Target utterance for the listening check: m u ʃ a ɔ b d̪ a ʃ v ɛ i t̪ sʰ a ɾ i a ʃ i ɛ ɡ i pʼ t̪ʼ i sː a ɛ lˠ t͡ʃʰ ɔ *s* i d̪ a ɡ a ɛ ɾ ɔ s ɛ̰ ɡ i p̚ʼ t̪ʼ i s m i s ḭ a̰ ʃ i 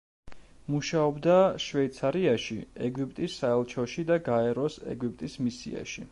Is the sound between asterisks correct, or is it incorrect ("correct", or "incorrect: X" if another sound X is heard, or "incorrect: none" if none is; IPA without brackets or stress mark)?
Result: incorrect: ʃ